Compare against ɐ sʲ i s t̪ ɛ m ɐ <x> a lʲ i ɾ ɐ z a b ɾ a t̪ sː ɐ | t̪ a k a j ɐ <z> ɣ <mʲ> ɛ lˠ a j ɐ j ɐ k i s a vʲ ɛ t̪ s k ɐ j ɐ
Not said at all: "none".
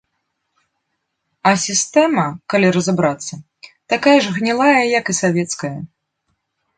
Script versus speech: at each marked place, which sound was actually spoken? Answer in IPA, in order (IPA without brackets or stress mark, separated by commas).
k, ʐ, nʲ